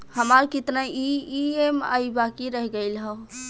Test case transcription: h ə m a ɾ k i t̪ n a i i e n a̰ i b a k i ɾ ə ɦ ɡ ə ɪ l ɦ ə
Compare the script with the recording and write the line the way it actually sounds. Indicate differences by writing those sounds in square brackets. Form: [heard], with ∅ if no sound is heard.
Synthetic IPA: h ə m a ɾ k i t̪ n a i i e [m] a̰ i b a k i ɾ ə ɦ ɡ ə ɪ l ɦ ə